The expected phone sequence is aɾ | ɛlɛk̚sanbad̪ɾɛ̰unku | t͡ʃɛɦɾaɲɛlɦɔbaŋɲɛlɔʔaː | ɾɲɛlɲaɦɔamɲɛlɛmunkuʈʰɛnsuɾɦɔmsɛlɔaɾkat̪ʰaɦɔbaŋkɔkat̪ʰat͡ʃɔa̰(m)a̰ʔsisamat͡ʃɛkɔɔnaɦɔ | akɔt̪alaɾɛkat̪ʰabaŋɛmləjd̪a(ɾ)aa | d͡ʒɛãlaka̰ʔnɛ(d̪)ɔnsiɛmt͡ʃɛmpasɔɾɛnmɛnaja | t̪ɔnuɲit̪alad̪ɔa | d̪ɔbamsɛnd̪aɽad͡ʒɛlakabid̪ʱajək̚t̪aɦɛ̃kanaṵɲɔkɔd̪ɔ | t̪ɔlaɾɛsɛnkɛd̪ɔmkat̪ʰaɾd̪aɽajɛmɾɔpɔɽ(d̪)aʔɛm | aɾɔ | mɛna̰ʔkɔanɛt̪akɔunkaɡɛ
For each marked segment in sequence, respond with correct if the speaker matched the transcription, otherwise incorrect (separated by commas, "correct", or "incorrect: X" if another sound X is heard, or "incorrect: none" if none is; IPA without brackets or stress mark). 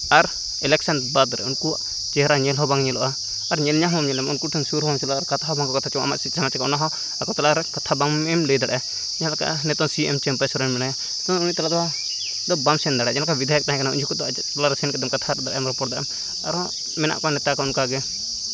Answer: correct, incorrect: ɽ, incorrect: t̪, correct